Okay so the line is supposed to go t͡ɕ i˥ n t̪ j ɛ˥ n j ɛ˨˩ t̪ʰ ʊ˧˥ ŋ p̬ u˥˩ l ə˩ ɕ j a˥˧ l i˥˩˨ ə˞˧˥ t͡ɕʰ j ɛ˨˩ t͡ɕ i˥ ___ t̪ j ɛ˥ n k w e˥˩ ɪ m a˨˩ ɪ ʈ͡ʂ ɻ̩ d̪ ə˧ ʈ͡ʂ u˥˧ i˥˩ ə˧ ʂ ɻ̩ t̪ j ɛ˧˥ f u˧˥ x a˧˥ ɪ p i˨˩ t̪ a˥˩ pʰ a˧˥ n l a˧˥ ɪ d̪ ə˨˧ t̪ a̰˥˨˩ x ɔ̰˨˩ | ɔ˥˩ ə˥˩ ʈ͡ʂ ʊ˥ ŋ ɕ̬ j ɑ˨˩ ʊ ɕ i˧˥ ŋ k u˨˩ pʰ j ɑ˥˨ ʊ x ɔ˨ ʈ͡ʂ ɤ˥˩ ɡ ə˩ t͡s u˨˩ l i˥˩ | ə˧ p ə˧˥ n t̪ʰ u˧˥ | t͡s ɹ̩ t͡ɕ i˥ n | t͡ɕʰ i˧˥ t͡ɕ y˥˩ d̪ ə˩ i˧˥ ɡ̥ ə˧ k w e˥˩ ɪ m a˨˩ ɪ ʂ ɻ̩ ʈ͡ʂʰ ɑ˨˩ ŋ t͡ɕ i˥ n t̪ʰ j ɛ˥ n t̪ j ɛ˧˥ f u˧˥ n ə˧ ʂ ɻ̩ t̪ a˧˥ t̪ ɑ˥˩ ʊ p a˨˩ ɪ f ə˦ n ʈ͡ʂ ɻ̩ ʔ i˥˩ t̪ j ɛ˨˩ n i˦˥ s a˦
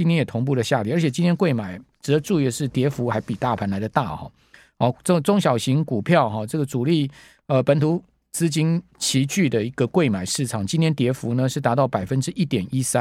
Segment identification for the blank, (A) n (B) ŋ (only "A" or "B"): A